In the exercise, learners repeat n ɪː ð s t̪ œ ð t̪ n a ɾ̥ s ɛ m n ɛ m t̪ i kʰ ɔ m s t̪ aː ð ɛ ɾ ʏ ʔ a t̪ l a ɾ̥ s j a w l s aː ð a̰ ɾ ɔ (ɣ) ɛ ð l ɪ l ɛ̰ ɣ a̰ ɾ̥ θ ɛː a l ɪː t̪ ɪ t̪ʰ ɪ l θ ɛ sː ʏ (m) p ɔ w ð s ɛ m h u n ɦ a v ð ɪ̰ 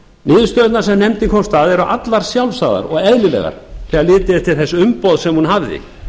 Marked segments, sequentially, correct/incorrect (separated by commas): correct, correct